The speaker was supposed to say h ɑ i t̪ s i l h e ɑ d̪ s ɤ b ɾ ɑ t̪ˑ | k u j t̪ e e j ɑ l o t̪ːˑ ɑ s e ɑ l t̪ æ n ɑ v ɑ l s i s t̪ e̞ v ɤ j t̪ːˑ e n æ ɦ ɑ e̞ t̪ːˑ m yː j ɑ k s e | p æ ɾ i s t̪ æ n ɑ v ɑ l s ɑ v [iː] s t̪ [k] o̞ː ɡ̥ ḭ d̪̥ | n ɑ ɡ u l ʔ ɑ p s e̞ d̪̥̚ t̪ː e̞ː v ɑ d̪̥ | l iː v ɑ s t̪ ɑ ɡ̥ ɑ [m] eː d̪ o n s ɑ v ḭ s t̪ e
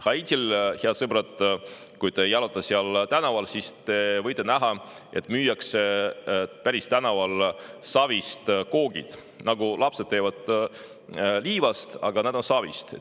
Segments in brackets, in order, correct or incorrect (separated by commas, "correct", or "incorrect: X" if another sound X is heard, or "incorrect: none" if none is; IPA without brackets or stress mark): incorrect: i, correct, incorrect: n